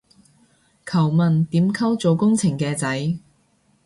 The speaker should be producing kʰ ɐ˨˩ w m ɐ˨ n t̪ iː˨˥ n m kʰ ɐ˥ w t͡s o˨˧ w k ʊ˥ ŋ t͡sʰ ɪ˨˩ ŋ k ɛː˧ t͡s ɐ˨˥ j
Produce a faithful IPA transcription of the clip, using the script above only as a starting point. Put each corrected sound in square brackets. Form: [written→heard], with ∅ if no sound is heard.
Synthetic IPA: kʰ ɐ˨˩ w m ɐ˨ n t̪ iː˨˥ [n→∅] m kʰ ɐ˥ w t͡s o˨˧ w k ʊ˥ ŋ t͡sʰ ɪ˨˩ ŋ k ɛː˧ t͡s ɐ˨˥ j